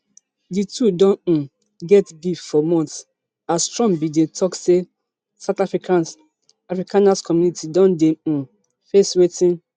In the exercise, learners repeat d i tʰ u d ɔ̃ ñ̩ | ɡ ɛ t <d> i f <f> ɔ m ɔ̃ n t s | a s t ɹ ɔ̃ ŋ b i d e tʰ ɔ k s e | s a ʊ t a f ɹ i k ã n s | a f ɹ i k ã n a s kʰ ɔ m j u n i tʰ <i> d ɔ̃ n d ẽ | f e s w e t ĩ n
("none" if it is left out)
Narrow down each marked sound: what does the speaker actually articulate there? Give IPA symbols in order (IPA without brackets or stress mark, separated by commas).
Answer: ɡ, f, i